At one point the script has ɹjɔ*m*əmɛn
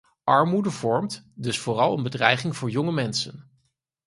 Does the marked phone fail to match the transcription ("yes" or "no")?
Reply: yes